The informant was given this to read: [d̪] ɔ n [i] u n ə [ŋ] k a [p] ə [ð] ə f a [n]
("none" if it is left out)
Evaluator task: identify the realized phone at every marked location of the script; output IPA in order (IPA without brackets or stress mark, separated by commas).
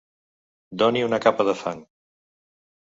d̪, i, none, p, ð, ŋ